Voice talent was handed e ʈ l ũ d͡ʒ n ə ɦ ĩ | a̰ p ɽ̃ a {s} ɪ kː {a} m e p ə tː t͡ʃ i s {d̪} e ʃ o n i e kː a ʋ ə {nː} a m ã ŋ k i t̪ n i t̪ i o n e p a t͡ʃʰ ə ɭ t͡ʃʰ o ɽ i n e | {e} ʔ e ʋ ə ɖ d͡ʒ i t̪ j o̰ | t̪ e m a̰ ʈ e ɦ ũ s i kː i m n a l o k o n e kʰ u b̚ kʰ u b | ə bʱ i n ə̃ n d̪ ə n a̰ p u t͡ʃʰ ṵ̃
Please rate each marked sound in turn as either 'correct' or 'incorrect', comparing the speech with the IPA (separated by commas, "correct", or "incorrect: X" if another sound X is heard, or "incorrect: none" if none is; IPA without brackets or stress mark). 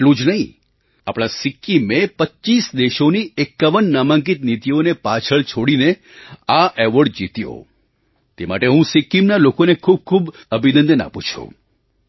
correct, incorrect: i, correct, correct, incorrect: a